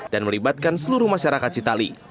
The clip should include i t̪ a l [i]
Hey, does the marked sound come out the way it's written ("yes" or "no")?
yes